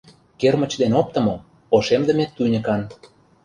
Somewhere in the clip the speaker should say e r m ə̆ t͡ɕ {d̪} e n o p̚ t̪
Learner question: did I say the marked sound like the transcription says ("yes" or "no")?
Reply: yes